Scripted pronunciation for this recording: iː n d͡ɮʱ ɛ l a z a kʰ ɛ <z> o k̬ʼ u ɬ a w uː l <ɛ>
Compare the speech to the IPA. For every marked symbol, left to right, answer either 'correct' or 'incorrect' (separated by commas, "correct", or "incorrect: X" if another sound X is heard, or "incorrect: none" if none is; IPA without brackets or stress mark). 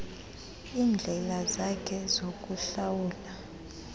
correct, incorrect: a